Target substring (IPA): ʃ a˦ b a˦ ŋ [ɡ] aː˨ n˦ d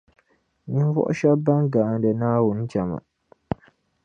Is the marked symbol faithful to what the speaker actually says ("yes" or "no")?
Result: yes